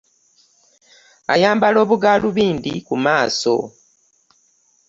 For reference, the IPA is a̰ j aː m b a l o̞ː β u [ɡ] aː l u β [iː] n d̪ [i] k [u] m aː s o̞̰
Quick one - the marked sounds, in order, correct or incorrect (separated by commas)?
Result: correct, correct, correct, correct